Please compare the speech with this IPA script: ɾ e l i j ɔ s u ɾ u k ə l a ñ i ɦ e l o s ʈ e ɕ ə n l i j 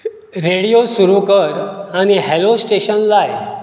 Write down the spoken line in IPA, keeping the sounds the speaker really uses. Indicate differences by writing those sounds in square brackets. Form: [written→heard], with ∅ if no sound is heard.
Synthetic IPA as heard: ɾ e [l→ɽ] i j [ɔ→o] s u ɾ u k ə [l→ɾ] a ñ i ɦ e l o s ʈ e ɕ ə n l [i→a] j